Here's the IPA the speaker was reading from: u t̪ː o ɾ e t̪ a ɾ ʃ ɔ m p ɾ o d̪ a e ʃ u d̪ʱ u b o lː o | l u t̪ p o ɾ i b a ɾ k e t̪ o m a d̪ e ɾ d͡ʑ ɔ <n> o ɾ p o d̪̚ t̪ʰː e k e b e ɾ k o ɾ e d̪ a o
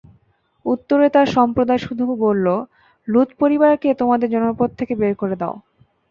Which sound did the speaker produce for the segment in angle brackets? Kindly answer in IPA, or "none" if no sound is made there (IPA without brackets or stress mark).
n